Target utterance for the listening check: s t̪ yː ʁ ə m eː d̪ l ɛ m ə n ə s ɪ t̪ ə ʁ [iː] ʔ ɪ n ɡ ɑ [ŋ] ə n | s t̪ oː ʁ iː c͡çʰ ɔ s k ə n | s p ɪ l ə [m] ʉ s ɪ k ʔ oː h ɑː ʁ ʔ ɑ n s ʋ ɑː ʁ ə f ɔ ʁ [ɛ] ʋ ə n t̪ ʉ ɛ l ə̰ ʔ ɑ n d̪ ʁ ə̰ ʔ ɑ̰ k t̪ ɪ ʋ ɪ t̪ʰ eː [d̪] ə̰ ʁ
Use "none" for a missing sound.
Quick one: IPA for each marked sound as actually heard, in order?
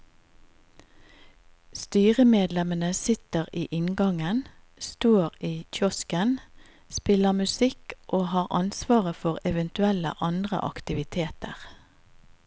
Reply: iː, ŋ, m, ɛ, t̪

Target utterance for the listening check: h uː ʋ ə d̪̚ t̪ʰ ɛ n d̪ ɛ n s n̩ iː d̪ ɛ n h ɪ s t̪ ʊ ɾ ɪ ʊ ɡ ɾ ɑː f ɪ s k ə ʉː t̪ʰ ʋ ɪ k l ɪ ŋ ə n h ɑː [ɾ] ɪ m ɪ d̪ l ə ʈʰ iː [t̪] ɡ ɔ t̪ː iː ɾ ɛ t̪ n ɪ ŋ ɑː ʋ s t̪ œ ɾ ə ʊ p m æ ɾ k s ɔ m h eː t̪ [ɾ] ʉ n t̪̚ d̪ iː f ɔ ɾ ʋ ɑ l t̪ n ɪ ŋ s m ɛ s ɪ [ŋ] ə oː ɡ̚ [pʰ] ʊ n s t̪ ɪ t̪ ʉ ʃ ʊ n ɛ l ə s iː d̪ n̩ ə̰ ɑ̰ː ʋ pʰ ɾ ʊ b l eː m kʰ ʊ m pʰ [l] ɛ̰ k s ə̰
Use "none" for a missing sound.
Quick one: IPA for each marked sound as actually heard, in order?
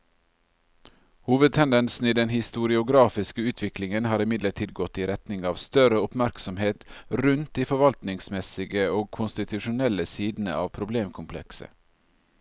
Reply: ɾ, d̪, ɾ, ɡ, kʰ, l

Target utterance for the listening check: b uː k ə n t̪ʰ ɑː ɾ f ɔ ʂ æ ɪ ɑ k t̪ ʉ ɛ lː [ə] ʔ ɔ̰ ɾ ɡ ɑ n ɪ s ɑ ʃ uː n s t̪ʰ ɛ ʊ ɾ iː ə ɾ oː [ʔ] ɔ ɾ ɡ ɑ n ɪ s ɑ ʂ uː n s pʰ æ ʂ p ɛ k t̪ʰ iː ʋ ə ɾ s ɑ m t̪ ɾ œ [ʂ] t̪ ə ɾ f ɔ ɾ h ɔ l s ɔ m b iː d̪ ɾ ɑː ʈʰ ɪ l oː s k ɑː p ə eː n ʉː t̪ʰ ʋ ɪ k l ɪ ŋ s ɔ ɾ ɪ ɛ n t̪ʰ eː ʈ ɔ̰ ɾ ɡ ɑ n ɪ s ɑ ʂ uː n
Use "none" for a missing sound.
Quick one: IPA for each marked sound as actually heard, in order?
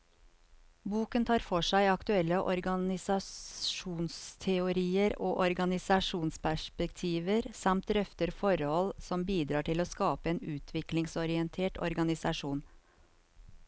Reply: ə, ʔ, f

